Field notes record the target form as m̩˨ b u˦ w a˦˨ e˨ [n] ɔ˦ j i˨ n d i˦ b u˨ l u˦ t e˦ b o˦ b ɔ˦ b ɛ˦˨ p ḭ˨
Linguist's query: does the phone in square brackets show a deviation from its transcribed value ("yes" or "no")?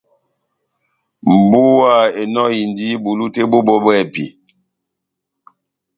no